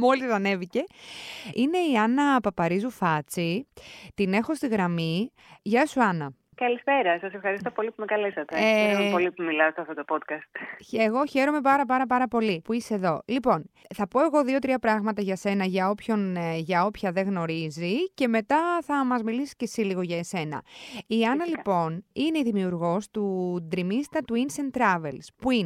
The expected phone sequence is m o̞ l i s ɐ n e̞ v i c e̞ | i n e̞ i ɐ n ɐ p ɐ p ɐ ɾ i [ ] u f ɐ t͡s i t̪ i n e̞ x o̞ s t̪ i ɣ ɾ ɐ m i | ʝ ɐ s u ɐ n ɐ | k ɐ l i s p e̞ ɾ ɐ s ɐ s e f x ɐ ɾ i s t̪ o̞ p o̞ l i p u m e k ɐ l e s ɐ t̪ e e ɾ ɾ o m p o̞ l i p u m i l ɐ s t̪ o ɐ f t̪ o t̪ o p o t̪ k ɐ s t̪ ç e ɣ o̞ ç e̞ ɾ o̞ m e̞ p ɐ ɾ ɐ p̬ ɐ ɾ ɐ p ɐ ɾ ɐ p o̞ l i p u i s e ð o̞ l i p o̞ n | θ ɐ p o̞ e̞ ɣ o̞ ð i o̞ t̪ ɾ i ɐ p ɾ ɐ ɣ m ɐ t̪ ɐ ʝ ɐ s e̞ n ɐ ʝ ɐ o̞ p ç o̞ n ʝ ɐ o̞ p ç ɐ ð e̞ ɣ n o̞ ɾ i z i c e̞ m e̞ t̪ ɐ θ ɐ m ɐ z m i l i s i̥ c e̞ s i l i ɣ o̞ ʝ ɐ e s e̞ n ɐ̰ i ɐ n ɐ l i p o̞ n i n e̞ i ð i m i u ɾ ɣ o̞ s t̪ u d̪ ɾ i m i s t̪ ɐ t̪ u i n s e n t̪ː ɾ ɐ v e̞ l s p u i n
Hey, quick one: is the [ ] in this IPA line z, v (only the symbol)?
z